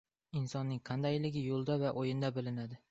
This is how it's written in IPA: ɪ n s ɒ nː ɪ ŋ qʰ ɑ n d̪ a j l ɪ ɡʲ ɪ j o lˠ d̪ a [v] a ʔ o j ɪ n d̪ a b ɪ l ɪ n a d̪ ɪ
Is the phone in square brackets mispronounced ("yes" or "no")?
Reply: no